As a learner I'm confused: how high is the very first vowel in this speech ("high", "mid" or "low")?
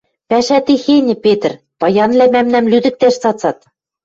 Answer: low